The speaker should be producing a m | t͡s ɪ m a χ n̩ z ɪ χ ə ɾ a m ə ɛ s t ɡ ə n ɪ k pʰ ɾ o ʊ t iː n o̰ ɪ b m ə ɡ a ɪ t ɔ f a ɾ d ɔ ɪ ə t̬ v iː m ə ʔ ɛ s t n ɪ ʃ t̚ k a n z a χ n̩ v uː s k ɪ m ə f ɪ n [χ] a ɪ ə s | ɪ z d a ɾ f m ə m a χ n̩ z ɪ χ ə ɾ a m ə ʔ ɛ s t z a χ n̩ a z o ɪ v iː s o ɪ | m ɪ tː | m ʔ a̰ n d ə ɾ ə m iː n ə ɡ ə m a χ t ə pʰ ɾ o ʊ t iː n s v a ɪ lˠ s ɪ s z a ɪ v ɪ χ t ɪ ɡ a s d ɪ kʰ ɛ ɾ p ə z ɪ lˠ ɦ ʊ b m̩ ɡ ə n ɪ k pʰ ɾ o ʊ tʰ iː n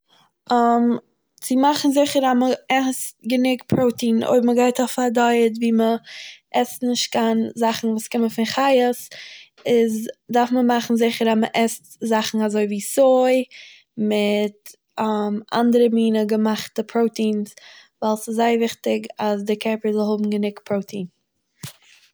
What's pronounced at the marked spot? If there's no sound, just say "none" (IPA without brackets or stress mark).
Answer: χ